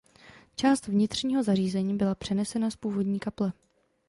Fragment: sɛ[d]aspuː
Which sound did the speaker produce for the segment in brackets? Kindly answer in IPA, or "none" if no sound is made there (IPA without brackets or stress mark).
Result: n